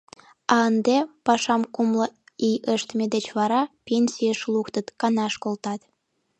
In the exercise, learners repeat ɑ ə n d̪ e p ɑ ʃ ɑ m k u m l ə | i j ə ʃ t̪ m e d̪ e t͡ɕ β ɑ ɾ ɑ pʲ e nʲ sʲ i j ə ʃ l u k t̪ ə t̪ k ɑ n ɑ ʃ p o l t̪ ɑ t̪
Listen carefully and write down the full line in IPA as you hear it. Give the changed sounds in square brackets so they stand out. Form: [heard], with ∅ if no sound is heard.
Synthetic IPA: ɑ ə n d̪ e p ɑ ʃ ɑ m k u m l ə | i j ə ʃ t̪ m e d̪ e t͡ɕ β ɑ ɾ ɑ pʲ e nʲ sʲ i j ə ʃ l u k t̪ ə t̪ k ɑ n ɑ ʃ [k] o l t̪ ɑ t̪